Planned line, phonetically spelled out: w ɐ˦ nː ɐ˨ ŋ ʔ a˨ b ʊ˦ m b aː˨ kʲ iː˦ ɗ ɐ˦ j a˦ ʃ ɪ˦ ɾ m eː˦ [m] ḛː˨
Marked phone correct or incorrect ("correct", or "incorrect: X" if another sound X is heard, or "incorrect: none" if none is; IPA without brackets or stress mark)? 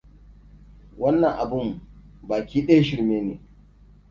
incorrect: n